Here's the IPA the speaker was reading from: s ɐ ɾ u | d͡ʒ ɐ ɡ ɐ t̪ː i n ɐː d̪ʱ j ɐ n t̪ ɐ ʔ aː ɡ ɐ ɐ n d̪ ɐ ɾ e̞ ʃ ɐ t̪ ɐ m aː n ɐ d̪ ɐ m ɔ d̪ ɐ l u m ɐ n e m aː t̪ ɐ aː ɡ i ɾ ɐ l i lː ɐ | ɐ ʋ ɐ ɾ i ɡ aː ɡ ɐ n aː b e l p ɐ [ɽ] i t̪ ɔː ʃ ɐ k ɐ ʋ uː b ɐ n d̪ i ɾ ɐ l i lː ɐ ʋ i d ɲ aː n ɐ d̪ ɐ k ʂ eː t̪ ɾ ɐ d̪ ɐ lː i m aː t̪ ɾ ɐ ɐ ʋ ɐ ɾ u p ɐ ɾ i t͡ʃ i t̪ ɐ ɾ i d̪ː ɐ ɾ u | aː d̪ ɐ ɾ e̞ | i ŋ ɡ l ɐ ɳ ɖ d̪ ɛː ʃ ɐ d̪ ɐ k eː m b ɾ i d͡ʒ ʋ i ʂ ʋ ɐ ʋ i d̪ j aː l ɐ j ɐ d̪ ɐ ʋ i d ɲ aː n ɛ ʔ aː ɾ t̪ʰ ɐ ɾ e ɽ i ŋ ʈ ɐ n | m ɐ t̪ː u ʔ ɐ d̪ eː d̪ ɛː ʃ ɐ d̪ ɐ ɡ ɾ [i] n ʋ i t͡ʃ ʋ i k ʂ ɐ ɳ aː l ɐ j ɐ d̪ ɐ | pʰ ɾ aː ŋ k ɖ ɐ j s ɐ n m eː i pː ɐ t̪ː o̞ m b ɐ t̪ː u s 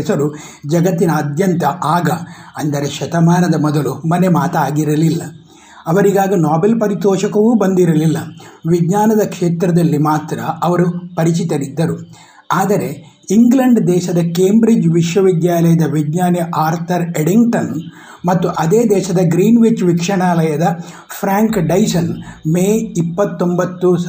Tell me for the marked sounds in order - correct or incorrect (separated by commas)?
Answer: incorrect, incorrect